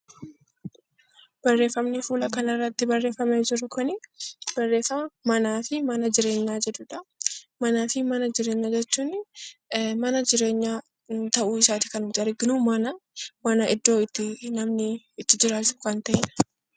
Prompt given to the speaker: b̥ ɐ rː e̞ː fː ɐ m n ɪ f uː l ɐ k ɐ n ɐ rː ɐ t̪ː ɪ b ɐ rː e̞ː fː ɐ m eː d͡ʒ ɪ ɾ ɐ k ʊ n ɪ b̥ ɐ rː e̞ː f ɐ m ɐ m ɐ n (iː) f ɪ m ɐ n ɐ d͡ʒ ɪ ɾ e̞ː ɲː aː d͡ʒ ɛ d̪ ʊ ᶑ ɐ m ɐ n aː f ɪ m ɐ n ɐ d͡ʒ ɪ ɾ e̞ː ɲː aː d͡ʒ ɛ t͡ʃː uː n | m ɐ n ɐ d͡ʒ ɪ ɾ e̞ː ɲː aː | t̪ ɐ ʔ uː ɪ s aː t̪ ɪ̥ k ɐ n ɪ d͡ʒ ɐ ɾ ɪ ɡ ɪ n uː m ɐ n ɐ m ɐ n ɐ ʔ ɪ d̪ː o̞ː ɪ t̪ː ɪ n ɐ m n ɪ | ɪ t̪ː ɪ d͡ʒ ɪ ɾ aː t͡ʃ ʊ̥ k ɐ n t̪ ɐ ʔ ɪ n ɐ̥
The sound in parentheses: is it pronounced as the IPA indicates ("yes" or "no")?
no